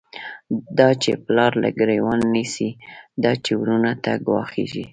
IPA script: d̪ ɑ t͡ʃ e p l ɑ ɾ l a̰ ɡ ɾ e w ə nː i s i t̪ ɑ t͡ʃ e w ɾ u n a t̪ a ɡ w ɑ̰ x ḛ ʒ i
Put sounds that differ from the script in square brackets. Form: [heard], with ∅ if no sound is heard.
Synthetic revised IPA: d̪ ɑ t͡ʃ e p l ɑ ɾ l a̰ ɡ ɾ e w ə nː i s i [d̪] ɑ t͡ʃ e w ɾ u n a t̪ a ɡ w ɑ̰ x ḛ ʒ i